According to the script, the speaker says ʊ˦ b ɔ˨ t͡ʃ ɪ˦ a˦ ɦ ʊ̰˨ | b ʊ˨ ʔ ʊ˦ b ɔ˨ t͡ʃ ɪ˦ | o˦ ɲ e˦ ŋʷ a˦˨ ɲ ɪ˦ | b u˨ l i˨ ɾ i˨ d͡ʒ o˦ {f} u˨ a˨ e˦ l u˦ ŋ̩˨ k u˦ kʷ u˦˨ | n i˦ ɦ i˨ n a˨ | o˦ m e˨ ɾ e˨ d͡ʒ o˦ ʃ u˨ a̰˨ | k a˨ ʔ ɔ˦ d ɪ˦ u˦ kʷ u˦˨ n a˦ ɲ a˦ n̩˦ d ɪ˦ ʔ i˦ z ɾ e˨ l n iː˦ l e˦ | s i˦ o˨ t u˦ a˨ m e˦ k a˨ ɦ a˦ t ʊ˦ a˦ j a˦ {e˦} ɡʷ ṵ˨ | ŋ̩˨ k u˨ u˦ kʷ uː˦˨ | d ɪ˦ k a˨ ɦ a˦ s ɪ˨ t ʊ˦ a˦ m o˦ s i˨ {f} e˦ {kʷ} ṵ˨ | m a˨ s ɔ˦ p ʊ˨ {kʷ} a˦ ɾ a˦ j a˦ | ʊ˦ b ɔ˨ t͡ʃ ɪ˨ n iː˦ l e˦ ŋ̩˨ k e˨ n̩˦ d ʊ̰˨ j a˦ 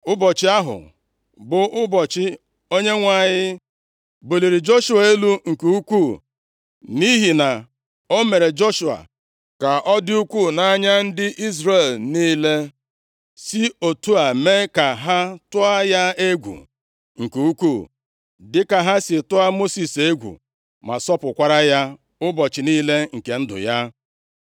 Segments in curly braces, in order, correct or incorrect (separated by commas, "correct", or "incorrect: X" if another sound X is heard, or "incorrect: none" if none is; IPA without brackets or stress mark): incorrect: ʃ, correct, incorrect: s, incorrect: ɡʷ, correct